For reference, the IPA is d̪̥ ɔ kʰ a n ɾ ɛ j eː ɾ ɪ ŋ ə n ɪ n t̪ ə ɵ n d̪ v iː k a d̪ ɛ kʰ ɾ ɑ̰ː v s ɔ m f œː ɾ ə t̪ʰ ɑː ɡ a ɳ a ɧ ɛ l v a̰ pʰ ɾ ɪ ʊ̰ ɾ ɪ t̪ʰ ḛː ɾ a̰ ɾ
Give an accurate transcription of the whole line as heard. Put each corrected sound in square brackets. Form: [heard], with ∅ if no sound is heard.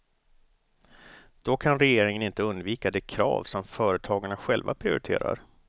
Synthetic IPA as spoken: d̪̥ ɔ kʰ a n ɾ ɛ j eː ɾ ɪ ŋ ə n ɪ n t̪ ə ɵ n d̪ v iː k a d̪ ɛ kʰ ɾ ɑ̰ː v s ɔ m f œː ɾ ə t̪ʰ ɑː ɡ a ɳ a ɧ ɛ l v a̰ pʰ ɾ ɪ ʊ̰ ɾ ɪ t̪ʰ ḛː ɾ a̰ ɾ